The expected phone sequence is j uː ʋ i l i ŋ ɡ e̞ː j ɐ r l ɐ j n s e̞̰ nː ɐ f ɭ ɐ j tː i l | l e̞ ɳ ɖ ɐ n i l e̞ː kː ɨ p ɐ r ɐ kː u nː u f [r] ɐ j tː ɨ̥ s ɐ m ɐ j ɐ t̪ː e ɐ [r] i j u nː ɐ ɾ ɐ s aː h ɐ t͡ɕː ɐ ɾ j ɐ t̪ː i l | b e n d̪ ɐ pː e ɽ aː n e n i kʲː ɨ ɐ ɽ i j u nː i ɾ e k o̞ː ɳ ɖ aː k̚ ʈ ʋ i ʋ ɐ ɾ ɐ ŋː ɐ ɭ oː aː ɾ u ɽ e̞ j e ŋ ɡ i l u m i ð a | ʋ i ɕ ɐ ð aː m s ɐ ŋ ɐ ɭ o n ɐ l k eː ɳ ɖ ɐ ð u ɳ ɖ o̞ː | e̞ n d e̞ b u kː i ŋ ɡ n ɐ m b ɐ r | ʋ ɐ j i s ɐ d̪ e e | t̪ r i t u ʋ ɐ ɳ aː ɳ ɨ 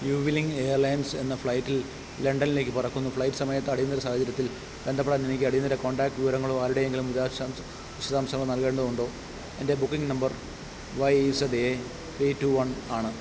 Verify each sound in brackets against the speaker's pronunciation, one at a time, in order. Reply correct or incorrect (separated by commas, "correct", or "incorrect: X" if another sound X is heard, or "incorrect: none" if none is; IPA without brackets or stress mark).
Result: incorrect: ɭ, incorrect: ɽ